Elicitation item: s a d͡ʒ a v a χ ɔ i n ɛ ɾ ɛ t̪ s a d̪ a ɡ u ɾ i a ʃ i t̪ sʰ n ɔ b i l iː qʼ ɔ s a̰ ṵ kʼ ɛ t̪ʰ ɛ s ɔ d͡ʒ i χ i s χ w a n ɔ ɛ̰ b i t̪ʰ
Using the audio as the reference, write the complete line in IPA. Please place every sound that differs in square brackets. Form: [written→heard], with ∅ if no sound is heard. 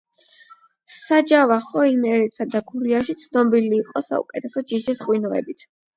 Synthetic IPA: s a d͡ʒ a v a χ ɔ i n ɛ ɾ ɛ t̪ s a d̪ a ɡ u ɾ i a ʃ i t̪ sʰ n ɔ b i l iː qʼ ɔ s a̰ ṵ kʼ ɛ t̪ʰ ɛ s ɔ d͡ʒ i [χ→ʃ] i s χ w [a→i] n ɔ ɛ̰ b i t̪ʰ